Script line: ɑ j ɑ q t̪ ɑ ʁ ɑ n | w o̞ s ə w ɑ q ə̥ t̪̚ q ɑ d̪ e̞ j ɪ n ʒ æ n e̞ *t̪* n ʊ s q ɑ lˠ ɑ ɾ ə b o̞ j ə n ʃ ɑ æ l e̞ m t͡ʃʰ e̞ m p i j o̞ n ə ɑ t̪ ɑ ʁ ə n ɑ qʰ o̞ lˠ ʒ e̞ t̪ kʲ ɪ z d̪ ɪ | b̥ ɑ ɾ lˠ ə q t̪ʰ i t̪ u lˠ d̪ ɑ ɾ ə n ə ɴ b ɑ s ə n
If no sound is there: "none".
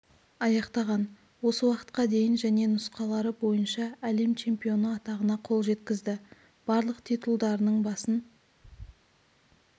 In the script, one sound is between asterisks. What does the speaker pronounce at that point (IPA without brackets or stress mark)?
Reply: none